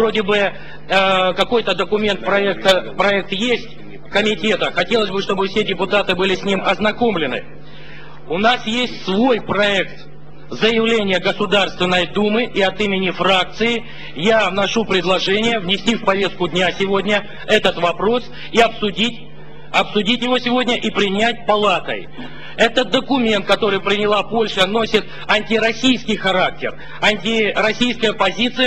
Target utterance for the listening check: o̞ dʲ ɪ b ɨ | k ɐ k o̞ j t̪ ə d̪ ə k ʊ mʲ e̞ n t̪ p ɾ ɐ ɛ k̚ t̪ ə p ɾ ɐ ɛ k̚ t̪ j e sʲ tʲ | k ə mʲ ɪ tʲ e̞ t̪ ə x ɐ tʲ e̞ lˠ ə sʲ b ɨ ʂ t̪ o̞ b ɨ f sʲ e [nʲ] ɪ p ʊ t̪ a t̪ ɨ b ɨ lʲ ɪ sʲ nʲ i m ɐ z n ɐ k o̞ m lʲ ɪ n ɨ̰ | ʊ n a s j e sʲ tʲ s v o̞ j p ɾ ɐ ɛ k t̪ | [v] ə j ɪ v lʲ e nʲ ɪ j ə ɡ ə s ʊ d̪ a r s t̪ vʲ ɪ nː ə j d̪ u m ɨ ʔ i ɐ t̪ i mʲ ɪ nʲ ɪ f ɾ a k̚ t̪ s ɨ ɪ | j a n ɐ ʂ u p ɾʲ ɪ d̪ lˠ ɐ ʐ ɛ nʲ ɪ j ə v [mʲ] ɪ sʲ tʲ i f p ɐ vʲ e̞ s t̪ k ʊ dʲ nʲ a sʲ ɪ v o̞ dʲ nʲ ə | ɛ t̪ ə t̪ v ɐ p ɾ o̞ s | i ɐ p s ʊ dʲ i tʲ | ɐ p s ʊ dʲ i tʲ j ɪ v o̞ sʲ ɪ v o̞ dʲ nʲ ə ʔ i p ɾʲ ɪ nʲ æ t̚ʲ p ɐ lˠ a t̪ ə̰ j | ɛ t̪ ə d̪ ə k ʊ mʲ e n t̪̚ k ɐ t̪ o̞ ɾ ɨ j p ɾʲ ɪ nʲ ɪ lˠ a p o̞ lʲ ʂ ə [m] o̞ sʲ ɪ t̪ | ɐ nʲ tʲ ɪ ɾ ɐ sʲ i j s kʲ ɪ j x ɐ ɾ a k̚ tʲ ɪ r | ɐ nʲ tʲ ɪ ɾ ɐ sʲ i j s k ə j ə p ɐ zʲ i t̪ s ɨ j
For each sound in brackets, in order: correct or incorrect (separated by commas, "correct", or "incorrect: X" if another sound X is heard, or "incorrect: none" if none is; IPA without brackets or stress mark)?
incorrect: dʲ, incorrect: z, incorrect: nʲ, incorrect: n